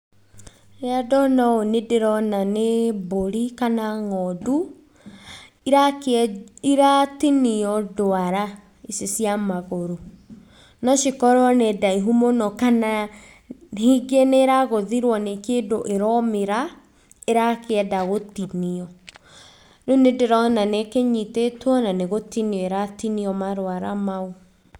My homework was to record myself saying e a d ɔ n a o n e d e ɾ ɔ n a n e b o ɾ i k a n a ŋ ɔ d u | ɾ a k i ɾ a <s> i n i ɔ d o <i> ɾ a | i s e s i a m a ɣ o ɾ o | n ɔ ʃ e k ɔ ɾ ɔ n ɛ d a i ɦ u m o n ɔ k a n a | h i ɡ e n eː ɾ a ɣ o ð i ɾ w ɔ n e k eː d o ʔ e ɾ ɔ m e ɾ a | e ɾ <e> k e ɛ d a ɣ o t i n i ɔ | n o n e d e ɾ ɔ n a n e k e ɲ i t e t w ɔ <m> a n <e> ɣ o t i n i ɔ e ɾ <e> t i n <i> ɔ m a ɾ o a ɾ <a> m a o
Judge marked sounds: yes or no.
no, no, no, no, yes, no, yes, yes

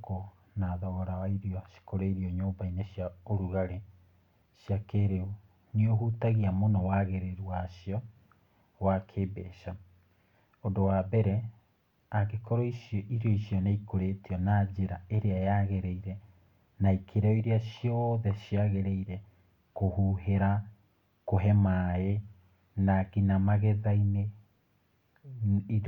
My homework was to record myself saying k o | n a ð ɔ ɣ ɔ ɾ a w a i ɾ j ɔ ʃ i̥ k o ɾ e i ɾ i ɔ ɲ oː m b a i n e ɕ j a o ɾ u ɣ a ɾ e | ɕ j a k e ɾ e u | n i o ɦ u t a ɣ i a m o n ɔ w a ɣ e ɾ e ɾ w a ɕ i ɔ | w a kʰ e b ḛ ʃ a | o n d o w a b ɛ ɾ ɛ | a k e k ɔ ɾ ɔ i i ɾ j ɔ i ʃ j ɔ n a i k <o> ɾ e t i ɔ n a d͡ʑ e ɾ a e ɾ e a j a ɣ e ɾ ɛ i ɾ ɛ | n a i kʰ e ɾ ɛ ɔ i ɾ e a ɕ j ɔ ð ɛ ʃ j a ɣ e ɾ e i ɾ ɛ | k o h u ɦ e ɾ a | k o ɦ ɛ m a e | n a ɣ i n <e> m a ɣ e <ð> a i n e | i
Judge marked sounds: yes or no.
yes, no, yes

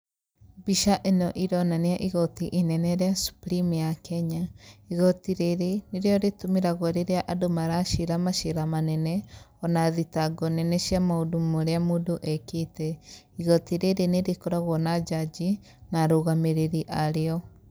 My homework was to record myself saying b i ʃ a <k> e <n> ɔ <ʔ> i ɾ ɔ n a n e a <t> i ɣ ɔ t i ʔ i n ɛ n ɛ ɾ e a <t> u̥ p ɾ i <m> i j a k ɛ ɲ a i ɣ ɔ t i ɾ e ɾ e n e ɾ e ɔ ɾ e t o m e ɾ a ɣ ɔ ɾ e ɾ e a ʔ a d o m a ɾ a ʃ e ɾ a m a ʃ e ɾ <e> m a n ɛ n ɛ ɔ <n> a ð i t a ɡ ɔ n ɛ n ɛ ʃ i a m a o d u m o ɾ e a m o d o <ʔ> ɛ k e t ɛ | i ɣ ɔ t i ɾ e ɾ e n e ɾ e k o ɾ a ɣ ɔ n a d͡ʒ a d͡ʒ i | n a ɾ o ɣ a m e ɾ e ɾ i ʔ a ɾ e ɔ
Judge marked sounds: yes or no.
no, yes, yes, no, no, yes, no, yes, yes

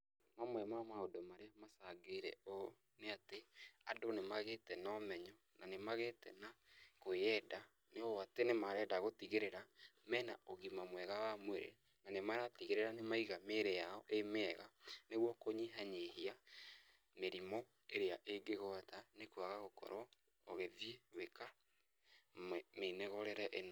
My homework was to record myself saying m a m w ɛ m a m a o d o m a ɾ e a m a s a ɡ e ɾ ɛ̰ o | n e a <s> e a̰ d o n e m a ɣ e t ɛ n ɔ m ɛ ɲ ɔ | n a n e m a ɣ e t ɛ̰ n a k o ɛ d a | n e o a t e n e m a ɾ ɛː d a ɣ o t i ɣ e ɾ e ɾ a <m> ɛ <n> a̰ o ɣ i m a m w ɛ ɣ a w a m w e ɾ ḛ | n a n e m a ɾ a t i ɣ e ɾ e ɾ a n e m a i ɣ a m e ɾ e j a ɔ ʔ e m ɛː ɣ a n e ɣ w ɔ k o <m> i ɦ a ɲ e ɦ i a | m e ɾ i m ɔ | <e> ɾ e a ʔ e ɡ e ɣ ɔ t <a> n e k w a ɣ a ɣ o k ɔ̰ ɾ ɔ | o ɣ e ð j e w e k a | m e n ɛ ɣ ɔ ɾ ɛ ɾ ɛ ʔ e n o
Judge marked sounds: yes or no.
no, yes, yes, no, yes, yes

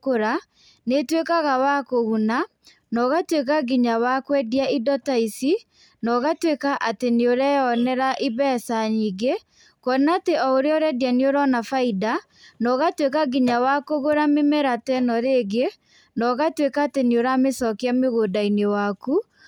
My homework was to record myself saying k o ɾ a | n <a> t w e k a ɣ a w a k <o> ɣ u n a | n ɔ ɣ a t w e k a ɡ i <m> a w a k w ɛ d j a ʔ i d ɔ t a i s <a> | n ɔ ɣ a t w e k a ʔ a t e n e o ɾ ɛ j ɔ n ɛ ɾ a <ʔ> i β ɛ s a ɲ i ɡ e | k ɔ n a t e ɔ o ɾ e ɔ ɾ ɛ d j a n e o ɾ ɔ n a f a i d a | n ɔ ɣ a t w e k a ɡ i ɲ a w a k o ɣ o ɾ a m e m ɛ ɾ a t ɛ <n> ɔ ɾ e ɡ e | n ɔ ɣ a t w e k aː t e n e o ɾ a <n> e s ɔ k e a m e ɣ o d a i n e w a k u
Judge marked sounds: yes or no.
no, yes, no, no, yes, yes, no

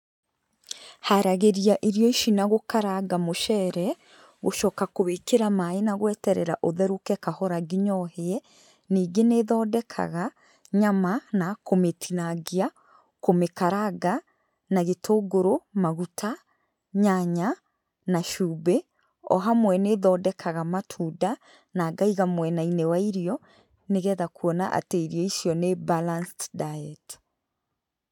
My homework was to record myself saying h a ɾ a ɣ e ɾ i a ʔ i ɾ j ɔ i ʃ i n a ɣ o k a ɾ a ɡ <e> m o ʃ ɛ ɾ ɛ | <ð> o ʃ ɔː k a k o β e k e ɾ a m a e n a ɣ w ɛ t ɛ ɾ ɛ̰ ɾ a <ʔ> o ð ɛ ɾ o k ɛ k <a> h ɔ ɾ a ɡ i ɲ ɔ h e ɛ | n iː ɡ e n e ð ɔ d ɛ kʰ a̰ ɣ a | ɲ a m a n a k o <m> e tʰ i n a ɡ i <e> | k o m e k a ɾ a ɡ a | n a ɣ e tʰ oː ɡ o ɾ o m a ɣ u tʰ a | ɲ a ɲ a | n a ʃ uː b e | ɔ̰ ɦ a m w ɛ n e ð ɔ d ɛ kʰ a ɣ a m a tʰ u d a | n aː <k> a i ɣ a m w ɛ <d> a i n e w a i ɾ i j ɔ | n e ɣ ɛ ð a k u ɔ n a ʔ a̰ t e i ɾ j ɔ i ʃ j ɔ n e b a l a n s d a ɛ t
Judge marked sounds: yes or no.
no, no, yes, yes, yes, no, no, no

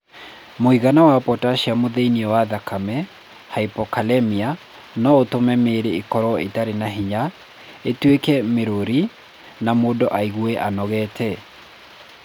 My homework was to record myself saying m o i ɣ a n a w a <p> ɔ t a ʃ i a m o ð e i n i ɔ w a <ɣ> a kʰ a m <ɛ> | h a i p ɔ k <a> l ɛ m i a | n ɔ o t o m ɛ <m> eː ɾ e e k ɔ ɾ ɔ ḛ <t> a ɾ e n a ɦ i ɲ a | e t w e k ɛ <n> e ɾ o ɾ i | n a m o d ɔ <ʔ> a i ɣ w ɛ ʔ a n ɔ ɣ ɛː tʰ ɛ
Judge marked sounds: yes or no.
yes, no, yes, yes, yes, yes, no, yes

